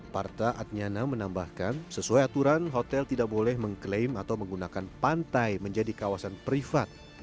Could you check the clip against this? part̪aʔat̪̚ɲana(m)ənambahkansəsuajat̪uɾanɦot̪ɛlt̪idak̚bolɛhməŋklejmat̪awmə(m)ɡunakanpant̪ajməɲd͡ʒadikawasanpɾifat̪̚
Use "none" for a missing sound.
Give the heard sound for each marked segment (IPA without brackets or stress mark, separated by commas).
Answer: m, ŋ